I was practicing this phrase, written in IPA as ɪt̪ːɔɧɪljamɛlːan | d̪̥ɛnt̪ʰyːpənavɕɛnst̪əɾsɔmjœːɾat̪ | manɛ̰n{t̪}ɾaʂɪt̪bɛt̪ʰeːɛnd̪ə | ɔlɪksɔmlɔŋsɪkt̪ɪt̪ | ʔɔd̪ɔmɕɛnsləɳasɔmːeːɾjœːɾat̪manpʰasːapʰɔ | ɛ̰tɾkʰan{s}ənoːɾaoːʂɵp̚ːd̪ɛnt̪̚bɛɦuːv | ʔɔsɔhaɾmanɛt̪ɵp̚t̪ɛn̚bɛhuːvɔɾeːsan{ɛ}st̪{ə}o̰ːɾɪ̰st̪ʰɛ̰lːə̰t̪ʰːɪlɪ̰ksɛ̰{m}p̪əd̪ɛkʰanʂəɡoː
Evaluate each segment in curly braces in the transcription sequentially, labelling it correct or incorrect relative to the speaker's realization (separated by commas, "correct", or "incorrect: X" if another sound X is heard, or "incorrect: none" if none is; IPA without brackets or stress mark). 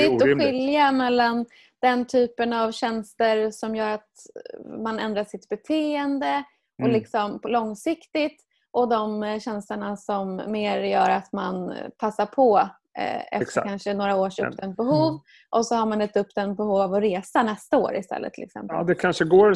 incorrect: d̪, incorrect: ʂ, correct, incorrect: a, correct